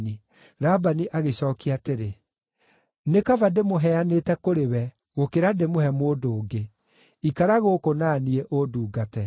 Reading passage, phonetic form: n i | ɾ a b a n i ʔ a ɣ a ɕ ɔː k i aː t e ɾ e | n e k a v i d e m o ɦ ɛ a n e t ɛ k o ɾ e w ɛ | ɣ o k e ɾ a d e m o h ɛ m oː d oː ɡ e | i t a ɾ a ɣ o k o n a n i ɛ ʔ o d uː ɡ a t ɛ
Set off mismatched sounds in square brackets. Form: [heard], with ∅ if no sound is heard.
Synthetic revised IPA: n i | ɾ a b a n i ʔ a ɣ [e] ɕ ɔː k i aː t e ɾ e | n e k a v [a] d e m o ɦ ɛ a n e t ɛ k o ɾ e w ɛ | ɣ o k e ɾ a d e m o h ɛ m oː d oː ɡ e | i [k] a ɾ a ɣ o k o n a n i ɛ ʔ o d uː ɡ a t ɛ